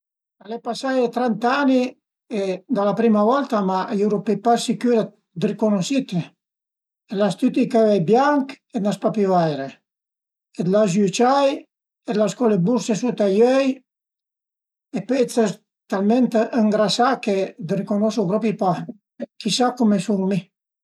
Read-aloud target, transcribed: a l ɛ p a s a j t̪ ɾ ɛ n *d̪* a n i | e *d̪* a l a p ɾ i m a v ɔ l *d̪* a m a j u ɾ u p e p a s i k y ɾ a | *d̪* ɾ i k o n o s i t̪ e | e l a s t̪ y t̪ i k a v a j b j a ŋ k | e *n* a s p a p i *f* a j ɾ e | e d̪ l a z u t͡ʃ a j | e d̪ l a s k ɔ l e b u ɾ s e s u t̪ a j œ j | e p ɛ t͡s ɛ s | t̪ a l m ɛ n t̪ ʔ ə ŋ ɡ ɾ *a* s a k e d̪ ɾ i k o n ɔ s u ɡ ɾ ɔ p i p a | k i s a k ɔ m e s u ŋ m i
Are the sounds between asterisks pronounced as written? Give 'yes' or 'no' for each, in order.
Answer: no, yes, no, yes, yes, no, yes

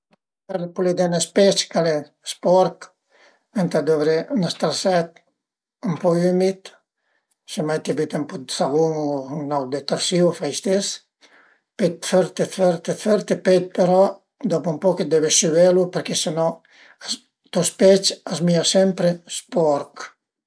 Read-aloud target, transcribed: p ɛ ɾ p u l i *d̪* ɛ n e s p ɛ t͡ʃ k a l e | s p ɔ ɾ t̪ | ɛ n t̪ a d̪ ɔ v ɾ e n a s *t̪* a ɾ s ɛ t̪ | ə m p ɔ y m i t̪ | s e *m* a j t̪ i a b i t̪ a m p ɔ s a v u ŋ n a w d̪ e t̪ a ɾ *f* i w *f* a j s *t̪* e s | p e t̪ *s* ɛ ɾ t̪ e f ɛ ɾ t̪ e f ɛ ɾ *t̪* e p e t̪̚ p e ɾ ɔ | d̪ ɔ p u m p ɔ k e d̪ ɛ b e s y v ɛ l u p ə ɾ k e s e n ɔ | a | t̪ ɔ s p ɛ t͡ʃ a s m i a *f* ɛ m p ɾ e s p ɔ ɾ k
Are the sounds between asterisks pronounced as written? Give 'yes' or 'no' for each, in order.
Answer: yes, yes, yes, no, yes, yes, no, yes, no

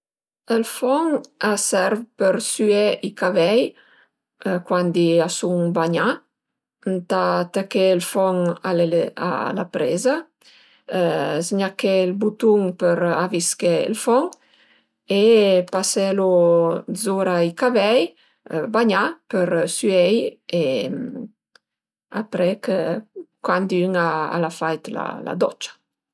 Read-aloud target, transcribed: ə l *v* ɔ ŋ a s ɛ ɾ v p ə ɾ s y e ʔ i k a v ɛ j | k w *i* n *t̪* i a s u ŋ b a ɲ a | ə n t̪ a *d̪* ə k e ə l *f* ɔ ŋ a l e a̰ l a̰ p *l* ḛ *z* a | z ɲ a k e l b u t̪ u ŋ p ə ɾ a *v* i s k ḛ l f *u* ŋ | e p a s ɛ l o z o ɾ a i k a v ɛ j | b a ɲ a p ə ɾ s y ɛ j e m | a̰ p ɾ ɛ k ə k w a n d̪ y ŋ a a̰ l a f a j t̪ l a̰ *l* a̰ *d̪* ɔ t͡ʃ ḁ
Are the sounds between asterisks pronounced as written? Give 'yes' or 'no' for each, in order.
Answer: no, no, no, no, yes, no, yes, yes, no, yes, yes

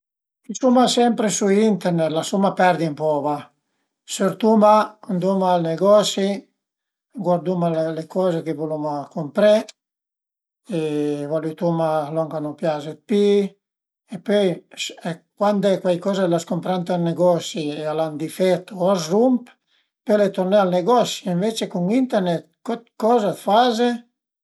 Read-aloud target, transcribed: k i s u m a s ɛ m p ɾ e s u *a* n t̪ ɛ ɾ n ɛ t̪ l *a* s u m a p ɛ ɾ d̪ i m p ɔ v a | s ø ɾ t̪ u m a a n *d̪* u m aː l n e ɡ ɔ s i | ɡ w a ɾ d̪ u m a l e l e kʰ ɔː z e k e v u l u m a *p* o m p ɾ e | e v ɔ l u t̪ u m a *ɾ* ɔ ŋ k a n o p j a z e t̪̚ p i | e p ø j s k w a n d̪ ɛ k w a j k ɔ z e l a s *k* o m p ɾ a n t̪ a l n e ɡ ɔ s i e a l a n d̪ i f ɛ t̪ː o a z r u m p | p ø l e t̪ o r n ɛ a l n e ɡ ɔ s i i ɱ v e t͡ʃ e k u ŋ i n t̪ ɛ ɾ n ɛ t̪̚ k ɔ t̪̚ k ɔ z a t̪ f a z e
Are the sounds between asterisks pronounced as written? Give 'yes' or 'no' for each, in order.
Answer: no, yes, yes, no, no, yes

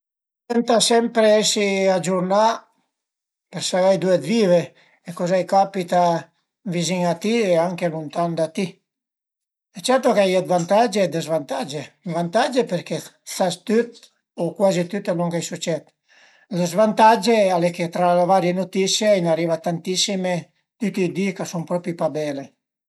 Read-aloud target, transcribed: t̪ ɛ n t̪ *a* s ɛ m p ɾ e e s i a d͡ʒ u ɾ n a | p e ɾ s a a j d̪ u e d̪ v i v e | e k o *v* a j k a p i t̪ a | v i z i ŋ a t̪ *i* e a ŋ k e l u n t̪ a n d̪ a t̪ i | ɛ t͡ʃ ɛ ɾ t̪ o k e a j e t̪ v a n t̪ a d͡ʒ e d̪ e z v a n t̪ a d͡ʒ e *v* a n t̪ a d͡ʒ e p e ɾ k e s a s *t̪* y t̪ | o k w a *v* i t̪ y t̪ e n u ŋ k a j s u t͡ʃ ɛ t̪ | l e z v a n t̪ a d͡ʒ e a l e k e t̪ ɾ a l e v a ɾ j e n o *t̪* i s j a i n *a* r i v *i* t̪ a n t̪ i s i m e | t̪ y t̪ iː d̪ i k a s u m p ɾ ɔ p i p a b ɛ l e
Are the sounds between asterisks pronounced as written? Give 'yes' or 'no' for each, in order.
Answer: yes, no, yes, yes, yes, no, yes, yes, no

